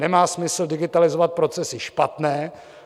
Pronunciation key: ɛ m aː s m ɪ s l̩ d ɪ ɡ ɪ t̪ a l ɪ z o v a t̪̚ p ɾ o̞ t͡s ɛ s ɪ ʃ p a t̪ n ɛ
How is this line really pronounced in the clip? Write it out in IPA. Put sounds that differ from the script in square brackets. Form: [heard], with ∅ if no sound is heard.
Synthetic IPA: ɛ m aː s m ɪ s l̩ d ɪ ɡ ɪ t̪ a l ɪ z o v a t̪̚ p ɾ o̞ t͡s ɛ s ɪ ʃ p a t̪ n [ɛː]